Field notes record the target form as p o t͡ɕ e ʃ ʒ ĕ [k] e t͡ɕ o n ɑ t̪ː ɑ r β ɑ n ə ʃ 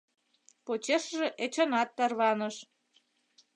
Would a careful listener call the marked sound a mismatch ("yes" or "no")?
yes